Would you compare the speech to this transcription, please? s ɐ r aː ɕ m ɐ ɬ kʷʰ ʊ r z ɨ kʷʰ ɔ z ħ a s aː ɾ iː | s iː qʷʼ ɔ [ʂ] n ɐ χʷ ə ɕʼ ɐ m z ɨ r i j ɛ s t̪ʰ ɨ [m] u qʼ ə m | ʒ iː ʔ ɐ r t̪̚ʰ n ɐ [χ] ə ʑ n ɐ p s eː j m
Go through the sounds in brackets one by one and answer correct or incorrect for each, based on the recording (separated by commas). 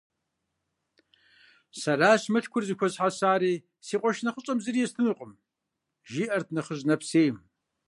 incorrect, incorrect, correct